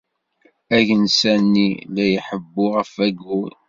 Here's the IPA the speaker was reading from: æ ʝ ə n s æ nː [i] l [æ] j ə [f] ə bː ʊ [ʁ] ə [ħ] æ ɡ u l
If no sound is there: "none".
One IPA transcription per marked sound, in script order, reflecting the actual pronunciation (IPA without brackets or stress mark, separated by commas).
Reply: i, æ, ħ, ʁ, f